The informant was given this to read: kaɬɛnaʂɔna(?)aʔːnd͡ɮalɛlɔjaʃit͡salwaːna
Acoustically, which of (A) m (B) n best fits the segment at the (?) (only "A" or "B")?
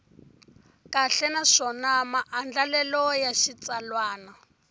A